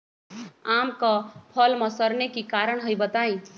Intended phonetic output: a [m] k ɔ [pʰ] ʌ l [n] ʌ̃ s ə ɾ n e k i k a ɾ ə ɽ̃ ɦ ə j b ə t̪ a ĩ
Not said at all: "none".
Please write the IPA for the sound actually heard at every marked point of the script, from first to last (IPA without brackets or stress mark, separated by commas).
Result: m, pʰ, m